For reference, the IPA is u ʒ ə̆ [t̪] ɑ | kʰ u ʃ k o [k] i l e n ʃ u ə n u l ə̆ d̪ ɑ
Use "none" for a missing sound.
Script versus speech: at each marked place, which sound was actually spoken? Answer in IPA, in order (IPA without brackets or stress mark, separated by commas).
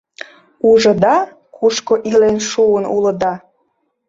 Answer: d̪, ʔ